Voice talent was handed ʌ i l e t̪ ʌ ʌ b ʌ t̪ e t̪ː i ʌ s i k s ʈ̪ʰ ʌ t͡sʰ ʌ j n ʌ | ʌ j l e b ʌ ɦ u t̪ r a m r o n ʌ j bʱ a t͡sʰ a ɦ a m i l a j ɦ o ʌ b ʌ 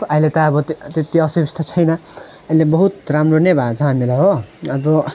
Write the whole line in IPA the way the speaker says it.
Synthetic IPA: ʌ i l e t̪ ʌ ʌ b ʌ t̪ e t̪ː i ʌ s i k s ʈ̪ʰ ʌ t͡sʰ ʌ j n ʌ | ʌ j l e b ʌ ɦ u t̪ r a m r o n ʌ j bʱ a t͡sʰ ʌ ɦ a m i l a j ɦ o ʌ b ʌ